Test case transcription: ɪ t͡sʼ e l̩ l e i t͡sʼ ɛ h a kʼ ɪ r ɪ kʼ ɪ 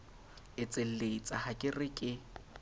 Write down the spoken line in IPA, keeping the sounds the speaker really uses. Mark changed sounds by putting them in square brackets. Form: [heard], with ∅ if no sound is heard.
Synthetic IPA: ɪ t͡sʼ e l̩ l e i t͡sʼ [a] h a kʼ ɪ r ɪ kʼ ɪ